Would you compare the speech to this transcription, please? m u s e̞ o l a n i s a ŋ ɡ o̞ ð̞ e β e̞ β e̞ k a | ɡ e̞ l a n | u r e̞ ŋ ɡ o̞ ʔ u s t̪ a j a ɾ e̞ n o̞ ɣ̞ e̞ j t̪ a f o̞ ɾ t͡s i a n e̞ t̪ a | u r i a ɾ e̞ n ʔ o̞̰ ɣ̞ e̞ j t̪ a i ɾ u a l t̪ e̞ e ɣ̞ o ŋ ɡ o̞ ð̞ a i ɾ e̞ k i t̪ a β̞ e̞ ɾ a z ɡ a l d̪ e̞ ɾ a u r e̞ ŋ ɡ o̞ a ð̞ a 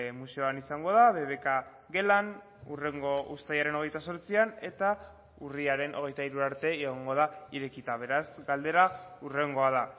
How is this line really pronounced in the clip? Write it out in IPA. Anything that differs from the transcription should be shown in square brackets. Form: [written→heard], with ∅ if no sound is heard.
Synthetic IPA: m u s e̞ o [l→∅] a n i s a ŋ ɡ o̞ ð̞ [e→a] β e̞ β e̞ k a | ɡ e̞ l a n | u r e̞ ŋ ɡ o̞ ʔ u s t̪ a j a ɾ e̞ n o̞ ɣ̞ e̞ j t̪ a [f→s] o̞ ɾ t͡s i a n e̞ t̪ a | u r i a ɾ e̞ n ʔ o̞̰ ɣ̞ e̞ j t̪ a i ɾ u a [l→ɾ] t̪ e̞ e ɣ̞ o ŋ ɡ o̞ ð̞ a i ɾ e̞ k i t̪ a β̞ e̞ ɾ a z ɡ a l d̪ e̞ ɾ a u r e̞ ŋ ɡ o̞ a ð̞ a